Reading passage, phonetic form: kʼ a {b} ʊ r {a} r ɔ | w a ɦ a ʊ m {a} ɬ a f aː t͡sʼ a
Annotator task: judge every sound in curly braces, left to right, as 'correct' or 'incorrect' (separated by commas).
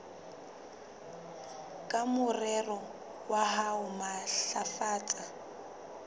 incorrect, incorrect, correct